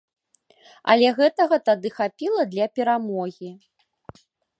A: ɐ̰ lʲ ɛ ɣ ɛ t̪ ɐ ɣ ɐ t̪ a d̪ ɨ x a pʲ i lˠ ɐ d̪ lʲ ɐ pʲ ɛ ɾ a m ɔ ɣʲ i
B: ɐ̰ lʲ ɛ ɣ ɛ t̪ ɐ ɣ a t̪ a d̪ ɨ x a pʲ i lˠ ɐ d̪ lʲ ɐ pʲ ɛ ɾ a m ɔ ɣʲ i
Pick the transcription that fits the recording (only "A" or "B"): A